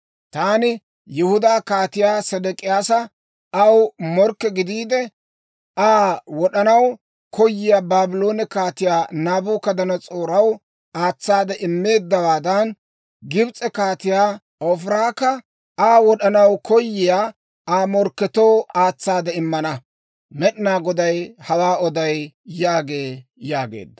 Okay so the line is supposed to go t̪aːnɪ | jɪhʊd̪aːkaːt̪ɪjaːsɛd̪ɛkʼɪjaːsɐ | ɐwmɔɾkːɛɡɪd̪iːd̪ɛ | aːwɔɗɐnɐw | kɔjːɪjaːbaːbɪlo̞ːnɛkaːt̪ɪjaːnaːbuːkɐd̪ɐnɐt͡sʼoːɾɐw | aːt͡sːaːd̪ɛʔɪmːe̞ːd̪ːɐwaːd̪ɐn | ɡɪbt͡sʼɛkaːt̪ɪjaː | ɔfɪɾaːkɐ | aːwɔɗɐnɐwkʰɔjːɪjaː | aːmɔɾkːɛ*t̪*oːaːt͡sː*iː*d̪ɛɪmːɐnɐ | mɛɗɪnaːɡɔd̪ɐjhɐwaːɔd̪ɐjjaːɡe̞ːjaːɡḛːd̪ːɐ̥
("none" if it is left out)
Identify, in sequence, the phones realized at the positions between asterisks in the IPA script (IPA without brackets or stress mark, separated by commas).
t̪, aː